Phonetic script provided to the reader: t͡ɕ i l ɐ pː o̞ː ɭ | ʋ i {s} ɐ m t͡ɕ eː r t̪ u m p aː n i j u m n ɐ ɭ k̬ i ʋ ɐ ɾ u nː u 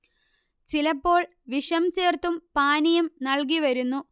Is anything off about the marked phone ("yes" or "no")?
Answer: yes